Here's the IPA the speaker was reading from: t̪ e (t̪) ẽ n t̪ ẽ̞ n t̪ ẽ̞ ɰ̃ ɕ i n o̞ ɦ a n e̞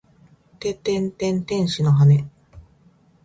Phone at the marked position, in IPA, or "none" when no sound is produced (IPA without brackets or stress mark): t̪